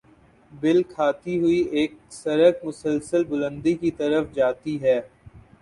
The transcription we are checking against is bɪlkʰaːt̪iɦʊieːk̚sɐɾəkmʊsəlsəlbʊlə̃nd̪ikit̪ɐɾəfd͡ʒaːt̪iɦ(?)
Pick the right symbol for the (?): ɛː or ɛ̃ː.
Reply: ɛː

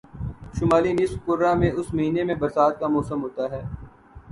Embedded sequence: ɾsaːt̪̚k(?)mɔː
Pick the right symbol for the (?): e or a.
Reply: a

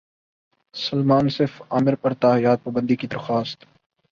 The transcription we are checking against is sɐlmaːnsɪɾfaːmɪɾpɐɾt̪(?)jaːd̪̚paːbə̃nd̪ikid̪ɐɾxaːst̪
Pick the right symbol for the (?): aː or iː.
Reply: aː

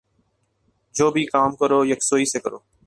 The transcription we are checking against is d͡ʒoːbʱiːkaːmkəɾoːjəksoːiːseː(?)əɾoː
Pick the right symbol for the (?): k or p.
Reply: k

